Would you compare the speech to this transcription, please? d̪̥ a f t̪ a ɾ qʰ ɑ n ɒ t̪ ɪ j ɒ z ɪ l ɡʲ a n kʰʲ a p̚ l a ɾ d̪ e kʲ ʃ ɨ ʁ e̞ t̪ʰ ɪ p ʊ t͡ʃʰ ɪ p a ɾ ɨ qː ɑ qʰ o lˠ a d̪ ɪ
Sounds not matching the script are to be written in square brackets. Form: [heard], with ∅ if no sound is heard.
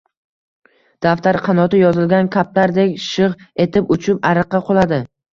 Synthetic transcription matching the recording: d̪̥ a f t̪ a ɾ qʰ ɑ n ɒ t̪ ɪ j ɒ z ɪ l ɡʲ a n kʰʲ a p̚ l a ɾ d̪ e kʲ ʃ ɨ ʁ e̞ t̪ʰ ɪ p ʊ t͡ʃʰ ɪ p a ɾ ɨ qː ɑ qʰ o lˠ a d̪ ɪ